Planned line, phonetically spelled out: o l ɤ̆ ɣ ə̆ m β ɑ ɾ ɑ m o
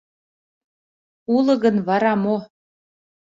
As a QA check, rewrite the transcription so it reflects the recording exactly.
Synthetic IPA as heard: u l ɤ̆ ɣ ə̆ n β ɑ ɾ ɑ m o